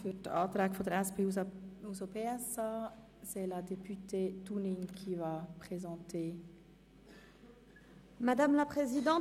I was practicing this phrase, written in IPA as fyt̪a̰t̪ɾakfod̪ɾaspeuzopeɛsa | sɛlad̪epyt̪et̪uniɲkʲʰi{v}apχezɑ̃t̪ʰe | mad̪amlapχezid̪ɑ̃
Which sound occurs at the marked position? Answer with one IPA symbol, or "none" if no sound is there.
v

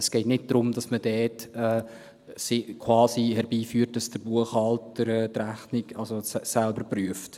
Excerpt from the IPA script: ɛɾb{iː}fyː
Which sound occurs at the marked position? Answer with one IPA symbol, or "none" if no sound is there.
iː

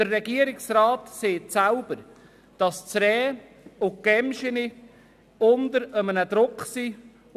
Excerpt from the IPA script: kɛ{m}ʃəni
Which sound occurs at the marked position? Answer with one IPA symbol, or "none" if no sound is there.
m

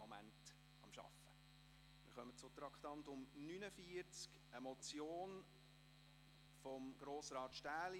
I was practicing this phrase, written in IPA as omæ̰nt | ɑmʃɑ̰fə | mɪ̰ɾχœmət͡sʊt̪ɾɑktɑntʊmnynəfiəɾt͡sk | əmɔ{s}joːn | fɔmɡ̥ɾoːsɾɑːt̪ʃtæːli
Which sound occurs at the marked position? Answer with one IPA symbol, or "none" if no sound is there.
t͡s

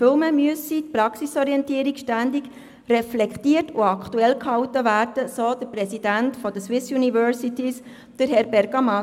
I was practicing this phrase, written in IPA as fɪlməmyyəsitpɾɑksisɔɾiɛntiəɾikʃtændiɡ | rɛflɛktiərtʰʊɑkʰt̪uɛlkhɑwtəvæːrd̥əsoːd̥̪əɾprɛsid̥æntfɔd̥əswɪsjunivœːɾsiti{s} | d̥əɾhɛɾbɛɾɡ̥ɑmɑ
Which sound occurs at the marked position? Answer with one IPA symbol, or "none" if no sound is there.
s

